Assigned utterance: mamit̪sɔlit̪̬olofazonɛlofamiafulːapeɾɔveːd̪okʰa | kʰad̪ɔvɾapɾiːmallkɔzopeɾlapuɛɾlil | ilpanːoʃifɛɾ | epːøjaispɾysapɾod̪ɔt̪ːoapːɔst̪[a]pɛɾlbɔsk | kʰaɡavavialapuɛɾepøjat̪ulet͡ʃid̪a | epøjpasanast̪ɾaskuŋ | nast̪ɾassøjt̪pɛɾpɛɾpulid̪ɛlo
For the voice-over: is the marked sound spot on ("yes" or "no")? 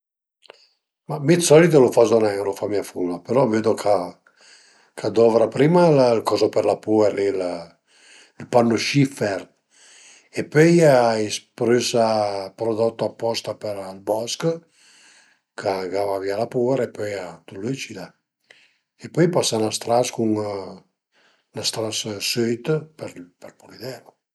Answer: yes